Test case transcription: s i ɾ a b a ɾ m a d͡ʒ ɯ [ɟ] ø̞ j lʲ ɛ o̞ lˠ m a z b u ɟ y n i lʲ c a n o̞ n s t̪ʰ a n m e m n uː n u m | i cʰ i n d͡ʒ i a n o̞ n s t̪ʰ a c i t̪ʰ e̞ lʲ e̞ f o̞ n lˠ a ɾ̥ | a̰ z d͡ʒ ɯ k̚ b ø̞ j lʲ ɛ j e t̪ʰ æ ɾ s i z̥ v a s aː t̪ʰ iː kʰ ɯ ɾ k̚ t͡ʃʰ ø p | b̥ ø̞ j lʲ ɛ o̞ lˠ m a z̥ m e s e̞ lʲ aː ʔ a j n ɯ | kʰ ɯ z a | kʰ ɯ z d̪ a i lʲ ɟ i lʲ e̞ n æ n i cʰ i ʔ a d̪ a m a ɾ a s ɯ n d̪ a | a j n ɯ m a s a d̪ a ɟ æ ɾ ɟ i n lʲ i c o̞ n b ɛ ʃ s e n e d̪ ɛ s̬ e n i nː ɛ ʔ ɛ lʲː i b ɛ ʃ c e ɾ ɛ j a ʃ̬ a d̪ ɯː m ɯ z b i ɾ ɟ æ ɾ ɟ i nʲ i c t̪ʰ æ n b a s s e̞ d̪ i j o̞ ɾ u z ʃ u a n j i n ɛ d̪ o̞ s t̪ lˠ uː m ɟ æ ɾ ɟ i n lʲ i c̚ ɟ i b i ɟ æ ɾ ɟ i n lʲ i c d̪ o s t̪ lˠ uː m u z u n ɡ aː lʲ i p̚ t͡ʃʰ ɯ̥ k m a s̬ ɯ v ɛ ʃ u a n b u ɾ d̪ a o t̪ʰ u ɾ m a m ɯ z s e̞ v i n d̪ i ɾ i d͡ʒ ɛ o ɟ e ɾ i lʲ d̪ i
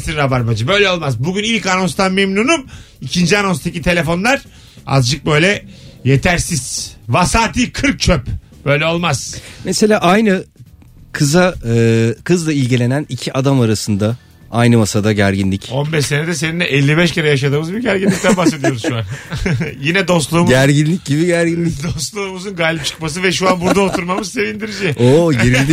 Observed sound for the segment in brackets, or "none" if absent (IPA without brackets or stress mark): b